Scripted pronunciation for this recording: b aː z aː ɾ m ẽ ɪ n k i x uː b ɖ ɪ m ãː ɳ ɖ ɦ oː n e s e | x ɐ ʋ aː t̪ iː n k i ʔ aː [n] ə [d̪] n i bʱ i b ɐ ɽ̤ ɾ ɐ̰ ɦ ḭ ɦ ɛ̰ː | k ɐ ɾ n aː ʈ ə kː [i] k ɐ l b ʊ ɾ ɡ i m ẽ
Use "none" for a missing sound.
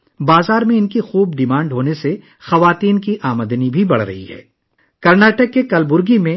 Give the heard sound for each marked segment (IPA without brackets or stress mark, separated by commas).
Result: m, d̪, e